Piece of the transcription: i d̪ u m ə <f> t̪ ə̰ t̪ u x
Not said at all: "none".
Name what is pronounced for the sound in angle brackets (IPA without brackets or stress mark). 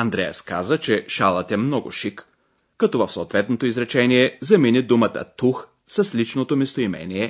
none